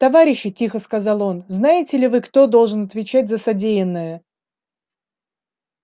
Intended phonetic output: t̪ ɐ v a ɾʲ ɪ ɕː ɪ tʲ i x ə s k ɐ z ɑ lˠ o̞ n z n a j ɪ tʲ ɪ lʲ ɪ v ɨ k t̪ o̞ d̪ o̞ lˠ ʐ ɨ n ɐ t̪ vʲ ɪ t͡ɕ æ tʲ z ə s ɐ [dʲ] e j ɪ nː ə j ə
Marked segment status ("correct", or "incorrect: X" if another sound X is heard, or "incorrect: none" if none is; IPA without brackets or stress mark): correct